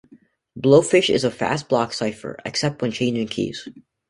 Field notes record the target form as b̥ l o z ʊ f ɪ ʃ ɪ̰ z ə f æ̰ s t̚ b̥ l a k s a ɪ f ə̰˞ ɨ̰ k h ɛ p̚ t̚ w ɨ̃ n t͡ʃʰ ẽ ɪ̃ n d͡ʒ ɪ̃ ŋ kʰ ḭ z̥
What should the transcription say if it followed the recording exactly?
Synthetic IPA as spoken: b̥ l o ʊ f ɪ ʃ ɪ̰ z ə f æ̰ s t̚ b̥ l ɑ k s a ɪ f ə̰˞ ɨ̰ k s ɛ p̚ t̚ w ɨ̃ n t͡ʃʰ ẽ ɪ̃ n d͡ʒ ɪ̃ ŋ kʰ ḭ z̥